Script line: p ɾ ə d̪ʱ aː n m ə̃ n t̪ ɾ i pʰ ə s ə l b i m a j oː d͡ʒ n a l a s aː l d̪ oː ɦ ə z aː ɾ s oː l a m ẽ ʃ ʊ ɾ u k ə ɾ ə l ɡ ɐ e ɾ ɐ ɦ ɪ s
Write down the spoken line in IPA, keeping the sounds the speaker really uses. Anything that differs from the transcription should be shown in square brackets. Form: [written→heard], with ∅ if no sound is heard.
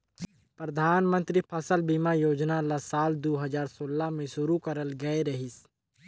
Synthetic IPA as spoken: p ɾ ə d̪ʱ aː n m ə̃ n t̪ ɾ i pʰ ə s ə l b i m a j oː d͡ʒ n a l a s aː l d̪ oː ɦ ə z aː ɾ s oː l a m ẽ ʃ ʊ ɾ u k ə ɾ ə l ɡ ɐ e ɾ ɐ ɦ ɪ s